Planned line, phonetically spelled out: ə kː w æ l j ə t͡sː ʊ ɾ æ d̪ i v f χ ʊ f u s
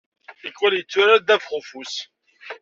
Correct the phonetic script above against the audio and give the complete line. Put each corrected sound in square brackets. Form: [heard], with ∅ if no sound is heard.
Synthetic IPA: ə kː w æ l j ə t͡sː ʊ ɾ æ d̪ [æ] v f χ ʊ f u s